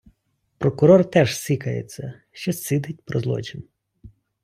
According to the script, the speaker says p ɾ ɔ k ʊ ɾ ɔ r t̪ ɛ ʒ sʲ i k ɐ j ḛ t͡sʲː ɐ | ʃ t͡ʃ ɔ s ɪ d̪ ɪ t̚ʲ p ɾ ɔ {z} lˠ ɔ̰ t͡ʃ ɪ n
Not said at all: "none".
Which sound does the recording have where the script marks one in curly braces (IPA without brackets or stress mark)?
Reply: z